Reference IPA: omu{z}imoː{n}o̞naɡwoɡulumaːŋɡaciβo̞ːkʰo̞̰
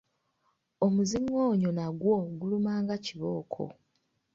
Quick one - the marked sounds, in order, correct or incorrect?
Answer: correct, incorrect: ɲ

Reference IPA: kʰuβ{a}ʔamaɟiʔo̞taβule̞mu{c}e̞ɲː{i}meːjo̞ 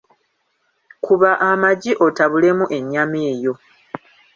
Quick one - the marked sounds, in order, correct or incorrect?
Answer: correct, incorrect: ʔ, incorrect: a

